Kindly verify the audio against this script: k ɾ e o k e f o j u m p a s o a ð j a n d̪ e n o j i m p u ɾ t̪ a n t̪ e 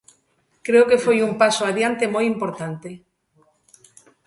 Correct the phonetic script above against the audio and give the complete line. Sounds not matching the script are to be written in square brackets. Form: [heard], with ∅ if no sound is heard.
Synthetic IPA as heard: k ɾ e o k e f o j u m p a s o a ð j a n [t̪] e [m] o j i m p [o] ɾ t̪ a n t̪ e